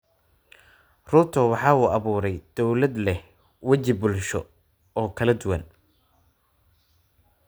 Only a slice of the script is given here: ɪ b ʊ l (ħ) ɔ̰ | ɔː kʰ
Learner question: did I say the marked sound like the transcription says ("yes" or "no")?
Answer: no